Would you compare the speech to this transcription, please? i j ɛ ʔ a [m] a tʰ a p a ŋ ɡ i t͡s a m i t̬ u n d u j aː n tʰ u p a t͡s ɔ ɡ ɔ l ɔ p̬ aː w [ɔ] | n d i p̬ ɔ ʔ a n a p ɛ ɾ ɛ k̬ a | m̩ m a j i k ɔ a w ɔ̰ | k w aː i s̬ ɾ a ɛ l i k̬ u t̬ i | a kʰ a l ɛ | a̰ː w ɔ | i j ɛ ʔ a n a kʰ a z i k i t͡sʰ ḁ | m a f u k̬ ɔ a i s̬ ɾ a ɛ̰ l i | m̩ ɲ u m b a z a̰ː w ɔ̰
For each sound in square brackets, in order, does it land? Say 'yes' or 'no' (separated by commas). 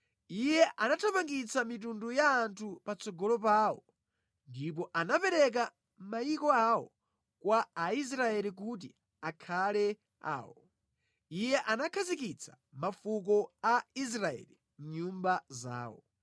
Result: no, yes